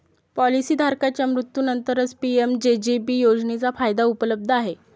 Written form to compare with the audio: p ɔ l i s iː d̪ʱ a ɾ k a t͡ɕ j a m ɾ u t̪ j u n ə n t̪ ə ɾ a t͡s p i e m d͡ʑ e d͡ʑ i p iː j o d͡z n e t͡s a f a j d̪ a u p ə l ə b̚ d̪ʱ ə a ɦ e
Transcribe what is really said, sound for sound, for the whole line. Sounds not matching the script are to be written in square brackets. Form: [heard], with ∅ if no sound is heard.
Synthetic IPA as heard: p ɔ l i s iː d̪ʱ a ɾ k a t͡ɕ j a m ɾ u t̪ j u n ə n t̪ ə ɾ [ə] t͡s p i e m d͡ʑ e d͡ʑ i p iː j o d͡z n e t͡s a f a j d̪ a u p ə l ə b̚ d̪ʱ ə a ɦ e